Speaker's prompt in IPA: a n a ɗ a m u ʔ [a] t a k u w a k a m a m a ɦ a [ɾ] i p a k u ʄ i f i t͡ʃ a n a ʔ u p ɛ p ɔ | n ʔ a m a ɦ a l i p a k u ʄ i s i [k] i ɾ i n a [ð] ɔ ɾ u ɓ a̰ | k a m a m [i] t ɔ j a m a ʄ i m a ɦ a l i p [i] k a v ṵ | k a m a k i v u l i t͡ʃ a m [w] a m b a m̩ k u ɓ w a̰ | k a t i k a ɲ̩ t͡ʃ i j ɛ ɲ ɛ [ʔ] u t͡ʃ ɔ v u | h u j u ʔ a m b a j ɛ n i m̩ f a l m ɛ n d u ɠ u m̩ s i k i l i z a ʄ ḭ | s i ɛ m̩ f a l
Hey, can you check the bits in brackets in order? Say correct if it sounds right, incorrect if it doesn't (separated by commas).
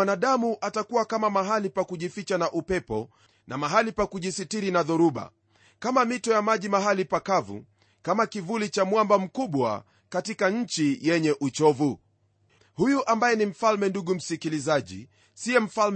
correct, incorrect, incorrect, correct, correct, incorrect, correct, correct